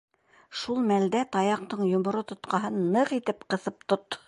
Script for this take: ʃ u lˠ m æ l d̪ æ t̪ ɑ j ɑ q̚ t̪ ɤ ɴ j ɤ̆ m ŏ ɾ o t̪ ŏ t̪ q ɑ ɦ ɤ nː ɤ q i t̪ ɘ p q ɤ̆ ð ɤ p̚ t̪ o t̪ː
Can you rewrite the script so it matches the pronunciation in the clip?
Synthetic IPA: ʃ u lˠ m æ l d̪ æ t̪ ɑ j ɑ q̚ t̪ ɤ ɴ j ŏ m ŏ ɾ o t̪ ŏ t̪ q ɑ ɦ ɤ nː ɤ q i t̪ ɘ p q ɤ̆ θ ɤ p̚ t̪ o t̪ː